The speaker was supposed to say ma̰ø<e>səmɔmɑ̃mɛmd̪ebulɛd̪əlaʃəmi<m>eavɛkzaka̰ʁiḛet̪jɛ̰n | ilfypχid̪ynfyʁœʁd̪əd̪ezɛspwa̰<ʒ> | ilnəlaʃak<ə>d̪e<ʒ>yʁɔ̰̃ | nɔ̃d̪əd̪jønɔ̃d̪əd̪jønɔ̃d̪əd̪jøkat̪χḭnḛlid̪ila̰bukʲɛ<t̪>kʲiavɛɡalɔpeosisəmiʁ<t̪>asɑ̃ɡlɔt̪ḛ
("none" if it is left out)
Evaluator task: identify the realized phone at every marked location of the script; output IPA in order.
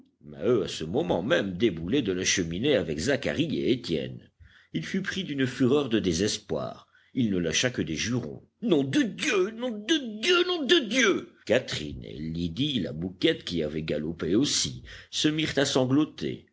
a, n, ʁ, ə, ʒ, t̪, t̪

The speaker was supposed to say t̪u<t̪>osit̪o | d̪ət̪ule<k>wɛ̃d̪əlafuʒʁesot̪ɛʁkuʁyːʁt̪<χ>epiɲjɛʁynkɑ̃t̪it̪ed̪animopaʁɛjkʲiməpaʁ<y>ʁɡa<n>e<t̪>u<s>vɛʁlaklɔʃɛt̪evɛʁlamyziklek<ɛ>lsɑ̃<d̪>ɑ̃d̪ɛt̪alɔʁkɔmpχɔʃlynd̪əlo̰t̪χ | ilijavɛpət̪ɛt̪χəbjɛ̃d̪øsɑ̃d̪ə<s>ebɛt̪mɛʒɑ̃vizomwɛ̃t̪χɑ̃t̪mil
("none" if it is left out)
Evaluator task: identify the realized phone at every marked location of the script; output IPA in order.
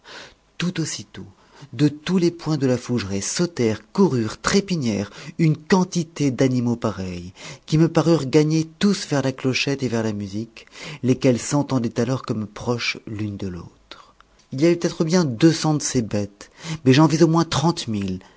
t̪, p, χ, y, ɲ, t̪, s, ɛ, t̪, s

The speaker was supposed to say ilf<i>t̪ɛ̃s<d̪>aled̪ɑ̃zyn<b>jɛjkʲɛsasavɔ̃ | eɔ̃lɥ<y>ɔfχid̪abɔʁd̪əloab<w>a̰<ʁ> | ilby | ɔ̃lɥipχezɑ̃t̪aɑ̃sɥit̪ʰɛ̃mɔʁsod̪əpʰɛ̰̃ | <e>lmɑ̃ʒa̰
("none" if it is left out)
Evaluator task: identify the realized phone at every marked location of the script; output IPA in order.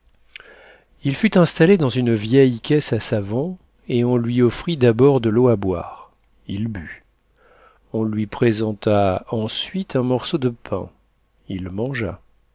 y, t̪, v, i, w, ʁ, i

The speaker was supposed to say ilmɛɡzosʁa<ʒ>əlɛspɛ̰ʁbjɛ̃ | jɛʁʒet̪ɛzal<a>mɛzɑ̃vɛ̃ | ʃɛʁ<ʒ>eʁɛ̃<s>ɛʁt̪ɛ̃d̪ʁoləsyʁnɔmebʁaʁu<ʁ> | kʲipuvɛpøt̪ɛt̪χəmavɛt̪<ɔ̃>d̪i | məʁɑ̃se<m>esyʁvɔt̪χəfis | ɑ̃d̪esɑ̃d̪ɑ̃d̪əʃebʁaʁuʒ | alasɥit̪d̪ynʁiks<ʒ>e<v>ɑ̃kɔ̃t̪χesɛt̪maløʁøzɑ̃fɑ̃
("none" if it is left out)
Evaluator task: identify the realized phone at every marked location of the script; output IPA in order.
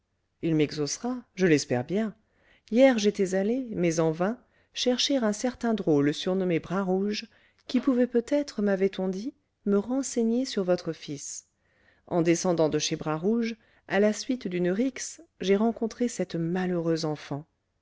ʒ, e, ʃ, s, ʒ, ɔ̃, ɲ, ʒ, ʁ

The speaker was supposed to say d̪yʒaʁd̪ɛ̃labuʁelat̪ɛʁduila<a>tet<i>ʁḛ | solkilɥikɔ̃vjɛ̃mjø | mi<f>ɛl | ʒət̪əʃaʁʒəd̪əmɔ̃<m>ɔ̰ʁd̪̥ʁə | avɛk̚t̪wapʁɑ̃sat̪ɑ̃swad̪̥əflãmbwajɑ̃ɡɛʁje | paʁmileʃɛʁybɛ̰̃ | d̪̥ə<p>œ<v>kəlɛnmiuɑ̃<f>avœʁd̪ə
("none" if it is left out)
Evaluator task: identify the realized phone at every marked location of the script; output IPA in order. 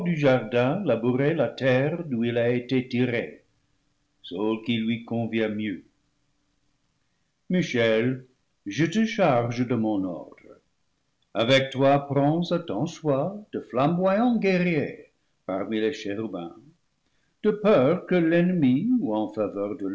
e, i, ʃ, n, p, ʁ, f

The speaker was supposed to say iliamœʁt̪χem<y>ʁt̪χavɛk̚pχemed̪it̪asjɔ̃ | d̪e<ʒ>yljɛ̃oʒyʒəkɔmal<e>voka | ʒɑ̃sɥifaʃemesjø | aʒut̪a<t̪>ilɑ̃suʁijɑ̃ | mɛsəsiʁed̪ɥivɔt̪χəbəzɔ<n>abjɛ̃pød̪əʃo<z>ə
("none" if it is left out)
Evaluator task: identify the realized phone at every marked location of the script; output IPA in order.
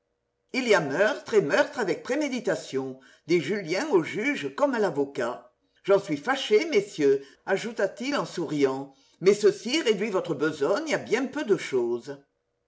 œ, ʒ, a, t̪, ɲ, z

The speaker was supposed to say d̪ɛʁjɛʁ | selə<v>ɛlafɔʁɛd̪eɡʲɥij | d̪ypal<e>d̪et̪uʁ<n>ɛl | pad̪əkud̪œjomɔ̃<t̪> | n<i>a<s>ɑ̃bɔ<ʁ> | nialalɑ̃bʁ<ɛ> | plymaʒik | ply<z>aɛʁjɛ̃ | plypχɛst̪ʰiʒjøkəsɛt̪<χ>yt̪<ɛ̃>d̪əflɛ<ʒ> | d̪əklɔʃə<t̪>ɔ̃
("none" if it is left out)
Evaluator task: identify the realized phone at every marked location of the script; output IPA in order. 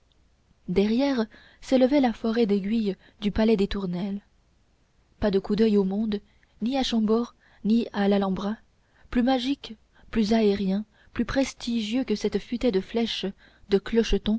v, ɛ, n, d̪, i, ʃ, ʁ, a, z, f, ɛ, ʃ, t̪

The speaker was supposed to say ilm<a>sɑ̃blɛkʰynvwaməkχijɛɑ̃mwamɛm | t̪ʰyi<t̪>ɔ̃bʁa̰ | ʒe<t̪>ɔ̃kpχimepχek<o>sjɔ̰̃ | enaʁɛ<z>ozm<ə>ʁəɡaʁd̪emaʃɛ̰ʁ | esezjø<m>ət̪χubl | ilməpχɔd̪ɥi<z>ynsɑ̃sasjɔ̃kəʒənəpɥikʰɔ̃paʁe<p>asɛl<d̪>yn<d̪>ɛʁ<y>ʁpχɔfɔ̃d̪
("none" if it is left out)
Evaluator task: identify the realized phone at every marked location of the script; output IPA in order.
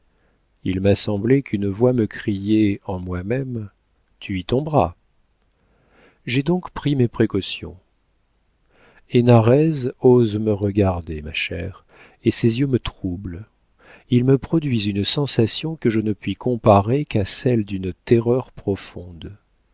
a, t̪, d̪, ɔ, z, ə, m, z, k, d̪, t̪, œ

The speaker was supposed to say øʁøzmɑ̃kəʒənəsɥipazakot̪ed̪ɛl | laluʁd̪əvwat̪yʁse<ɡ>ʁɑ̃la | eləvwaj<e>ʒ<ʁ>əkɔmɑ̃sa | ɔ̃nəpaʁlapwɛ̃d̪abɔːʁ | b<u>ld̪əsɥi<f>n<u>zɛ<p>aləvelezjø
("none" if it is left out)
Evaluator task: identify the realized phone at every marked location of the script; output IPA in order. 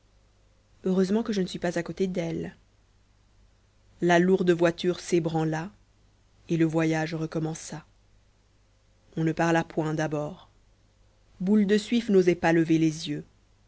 b, a, ʁ, u, f, o, p

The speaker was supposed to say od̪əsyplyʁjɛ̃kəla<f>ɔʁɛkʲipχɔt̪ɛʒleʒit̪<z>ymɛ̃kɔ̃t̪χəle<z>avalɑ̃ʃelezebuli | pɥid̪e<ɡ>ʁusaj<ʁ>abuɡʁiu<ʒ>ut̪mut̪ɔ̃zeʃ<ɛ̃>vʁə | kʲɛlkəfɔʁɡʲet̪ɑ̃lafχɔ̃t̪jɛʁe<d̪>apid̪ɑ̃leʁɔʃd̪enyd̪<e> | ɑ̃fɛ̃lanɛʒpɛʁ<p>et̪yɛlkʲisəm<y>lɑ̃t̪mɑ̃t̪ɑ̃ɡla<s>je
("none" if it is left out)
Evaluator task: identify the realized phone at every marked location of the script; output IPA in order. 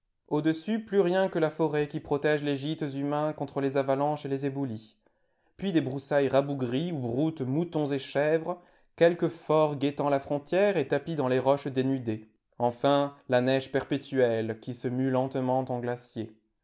f, z, z, b, ʁ, ʁ, ɛ, t̪, e, p, y, s

